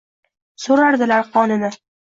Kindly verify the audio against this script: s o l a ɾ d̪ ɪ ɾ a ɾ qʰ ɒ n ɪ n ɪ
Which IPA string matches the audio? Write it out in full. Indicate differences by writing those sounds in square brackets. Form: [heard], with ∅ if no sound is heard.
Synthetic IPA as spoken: s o [ɾ] a ɾ d̪ ɪ [l] a ɾ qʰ ɒ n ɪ n ɪ